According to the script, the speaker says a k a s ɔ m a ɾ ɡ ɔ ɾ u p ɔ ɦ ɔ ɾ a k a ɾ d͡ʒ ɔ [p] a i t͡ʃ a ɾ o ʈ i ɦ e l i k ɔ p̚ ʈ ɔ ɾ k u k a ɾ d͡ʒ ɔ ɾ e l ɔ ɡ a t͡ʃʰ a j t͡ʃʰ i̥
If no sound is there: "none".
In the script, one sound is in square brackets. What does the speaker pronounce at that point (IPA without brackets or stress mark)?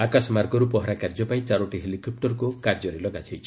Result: p